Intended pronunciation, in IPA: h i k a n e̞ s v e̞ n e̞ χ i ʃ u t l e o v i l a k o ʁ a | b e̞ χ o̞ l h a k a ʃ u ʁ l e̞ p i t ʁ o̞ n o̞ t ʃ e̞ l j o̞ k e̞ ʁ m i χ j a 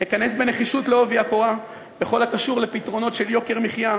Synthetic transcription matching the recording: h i k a n e̞ s b e̞ n e̞ χ i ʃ u t l e o v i a k o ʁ a | b e̞ χ o̞ l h a k a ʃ u ʁ l e̞ p i t ʁ o̞ n o̞ t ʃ e̞ l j o̞ k e̞ ʁ m i χ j a